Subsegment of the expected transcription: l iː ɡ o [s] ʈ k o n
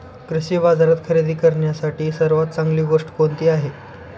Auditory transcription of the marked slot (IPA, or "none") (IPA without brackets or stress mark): ʂ